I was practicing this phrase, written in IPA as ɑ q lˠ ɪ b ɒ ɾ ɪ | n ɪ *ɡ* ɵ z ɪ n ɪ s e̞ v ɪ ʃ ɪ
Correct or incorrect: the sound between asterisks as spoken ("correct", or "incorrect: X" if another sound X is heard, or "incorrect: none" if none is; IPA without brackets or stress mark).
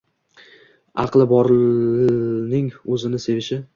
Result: incorrect: ŋ